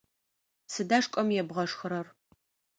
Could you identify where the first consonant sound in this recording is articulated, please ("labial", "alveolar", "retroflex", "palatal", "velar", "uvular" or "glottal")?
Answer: alveolar